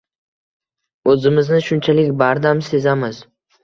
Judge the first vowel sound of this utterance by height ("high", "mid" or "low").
mid